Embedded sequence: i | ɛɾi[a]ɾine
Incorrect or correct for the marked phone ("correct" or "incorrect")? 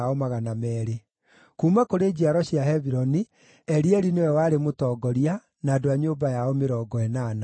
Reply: incorrect